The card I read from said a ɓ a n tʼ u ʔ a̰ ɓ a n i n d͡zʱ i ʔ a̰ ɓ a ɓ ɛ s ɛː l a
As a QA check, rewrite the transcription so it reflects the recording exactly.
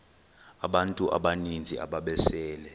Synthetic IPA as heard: a ɓ a n tʼ u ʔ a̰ ɓ a n i n d͡zʱ i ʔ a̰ ɓ a ɓ ɛ s ɛː l ɛ